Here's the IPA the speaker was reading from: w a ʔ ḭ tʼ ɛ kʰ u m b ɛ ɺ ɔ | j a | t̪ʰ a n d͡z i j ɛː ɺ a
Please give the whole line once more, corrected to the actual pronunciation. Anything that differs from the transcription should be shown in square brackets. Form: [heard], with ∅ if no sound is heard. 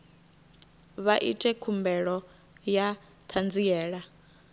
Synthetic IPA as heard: [β] a ʔ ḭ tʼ ɛ kʰ u m b ɛ ɺ ɔ | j a | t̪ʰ a n d͡z i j ɛː ɺ a